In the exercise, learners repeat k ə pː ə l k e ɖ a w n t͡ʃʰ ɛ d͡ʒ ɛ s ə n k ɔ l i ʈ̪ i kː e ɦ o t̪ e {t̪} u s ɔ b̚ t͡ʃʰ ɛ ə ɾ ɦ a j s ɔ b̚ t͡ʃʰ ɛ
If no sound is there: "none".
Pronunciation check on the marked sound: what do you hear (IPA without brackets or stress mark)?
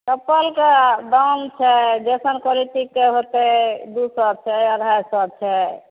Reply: d̪